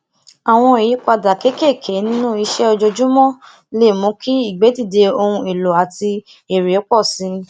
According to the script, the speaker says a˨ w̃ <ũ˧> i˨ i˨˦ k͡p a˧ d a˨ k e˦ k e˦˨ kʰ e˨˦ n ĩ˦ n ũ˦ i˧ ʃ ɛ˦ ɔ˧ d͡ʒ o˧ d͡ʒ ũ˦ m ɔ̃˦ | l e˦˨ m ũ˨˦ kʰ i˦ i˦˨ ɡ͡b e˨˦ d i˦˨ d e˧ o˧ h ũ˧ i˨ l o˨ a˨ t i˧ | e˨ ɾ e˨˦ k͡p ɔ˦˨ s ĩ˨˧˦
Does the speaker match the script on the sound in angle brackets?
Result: no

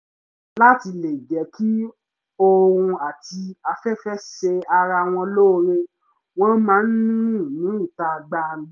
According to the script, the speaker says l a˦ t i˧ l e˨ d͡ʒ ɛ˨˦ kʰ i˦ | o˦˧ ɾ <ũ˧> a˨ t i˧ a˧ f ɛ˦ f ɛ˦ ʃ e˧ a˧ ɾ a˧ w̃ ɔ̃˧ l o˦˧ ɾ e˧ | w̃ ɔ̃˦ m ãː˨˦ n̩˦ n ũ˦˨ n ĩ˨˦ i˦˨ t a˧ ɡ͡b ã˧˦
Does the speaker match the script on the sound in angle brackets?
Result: yes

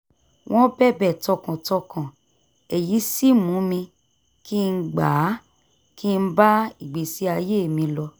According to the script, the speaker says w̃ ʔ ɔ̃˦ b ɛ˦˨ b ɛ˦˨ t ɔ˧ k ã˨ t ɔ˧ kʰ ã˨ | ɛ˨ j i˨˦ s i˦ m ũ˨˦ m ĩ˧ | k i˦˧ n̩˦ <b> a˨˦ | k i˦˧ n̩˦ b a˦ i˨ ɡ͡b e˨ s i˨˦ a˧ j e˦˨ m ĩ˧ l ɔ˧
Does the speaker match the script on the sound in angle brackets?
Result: no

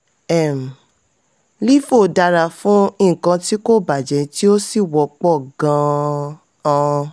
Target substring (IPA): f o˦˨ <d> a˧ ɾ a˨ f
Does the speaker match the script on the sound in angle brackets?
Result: yes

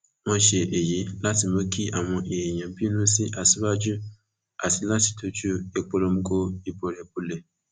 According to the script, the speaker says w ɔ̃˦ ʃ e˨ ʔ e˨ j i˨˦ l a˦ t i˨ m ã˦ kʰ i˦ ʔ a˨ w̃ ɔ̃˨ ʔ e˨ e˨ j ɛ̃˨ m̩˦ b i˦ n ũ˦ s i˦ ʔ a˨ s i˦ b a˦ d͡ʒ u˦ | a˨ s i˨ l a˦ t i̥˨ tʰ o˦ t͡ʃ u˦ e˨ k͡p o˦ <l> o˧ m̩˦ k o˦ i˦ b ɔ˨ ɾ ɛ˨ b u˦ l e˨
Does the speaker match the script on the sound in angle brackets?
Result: yes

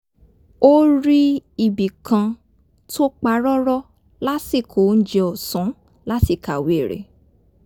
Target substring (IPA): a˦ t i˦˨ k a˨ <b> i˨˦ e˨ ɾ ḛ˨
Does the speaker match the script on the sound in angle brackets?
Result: no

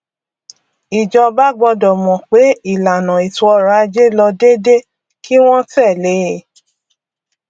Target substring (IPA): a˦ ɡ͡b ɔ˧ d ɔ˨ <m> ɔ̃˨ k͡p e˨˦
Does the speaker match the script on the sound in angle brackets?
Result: yes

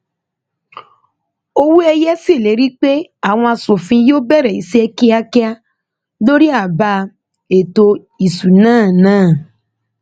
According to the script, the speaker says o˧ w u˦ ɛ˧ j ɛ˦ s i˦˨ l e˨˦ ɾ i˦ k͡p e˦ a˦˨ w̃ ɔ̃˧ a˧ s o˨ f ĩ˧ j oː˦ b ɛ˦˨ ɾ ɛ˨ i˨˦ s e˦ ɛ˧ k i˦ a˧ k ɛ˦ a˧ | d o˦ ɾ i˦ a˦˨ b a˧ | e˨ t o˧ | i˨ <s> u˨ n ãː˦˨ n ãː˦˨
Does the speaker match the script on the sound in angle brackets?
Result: yes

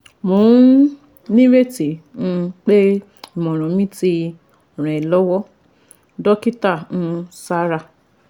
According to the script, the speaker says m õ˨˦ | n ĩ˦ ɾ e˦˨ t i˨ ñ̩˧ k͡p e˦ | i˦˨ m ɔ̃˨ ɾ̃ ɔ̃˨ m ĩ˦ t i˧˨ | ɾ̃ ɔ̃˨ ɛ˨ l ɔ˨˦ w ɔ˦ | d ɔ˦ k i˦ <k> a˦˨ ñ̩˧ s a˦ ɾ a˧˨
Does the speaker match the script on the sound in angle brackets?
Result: no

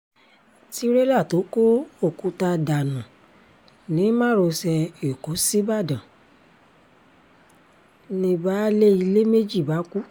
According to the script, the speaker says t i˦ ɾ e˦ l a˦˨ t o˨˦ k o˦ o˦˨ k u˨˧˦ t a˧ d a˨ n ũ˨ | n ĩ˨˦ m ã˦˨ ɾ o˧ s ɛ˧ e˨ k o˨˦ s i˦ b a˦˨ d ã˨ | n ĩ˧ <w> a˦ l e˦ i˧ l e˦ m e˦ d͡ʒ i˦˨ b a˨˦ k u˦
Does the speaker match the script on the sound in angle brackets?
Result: no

